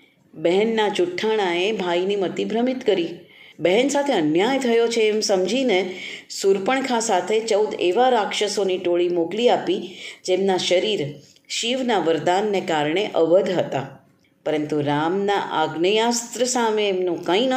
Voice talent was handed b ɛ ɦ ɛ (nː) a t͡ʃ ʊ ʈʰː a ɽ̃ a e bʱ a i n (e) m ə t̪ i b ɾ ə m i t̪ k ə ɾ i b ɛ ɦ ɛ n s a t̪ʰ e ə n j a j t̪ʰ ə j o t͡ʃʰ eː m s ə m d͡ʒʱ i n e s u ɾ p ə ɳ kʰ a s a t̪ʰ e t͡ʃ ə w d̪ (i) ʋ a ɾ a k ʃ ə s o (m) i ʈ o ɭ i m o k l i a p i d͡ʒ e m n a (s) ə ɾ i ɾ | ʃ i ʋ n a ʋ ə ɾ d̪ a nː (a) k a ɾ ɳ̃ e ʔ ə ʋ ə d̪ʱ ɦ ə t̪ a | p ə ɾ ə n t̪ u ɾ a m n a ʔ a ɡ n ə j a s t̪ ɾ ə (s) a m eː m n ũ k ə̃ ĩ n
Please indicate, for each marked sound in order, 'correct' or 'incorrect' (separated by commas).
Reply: correct, incorrect, incorrect, incorrect, incorrect, incorrect, correct